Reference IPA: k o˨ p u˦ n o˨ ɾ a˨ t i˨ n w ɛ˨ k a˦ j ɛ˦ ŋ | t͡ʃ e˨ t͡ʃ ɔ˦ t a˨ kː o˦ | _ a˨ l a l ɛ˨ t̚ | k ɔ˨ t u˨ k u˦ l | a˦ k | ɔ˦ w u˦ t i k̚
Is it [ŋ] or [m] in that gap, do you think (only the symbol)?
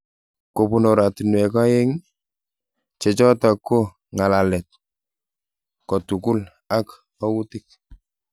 ŋ